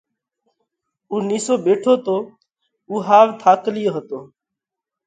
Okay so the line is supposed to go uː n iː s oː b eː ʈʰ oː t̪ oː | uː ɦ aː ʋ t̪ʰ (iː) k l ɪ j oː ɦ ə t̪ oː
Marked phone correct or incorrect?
incorrect